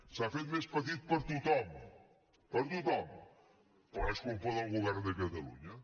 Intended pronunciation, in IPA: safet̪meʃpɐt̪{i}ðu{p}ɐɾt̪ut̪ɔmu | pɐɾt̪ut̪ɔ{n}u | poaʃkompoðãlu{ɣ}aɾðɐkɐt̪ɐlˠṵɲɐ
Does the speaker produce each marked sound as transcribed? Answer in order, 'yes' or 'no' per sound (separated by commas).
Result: yes, yes, no, yes